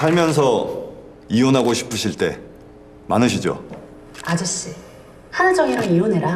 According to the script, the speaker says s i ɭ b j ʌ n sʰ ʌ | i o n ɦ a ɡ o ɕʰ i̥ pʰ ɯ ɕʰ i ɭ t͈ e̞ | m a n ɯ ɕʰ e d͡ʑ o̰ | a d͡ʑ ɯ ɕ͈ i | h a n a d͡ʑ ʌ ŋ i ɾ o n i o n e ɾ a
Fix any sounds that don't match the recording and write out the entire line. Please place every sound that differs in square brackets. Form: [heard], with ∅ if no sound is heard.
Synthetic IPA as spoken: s [a] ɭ [m] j ʌ n sʰ ʌ | i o n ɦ a ɡ o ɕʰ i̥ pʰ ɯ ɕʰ i ɭ t͈ e̞ | m a n ɯ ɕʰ [i] d͡ʑ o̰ | a d͡ʑ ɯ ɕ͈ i | h a n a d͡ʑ ʌ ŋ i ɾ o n i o n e ɾ a